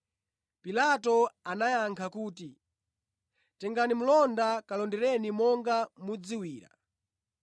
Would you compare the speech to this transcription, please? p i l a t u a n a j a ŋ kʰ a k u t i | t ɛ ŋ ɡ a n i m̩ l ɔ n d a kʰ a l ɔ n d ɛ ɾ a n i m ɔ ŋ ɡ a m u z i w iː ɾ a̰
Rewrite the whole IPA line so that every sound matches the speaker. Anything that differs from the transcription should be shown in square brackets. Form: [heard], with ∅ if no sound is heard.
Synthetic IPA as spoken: p i l a t [ɔ] a n a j a ŋ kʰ a k [uː] t i | t ɛ ŋ ɡ a n i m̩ l ɔ n d a [k] a l ɔ n d ɛ ɾ [ɛ] n i m ɔ ŋ ɡ a m u [d͡z] i w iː ɾ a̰